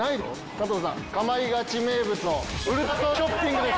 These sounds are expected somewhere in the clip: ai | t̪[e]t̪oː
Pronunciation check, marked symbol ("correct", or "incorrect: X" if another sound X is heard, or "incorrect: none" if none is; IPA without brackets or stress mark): incorrect: a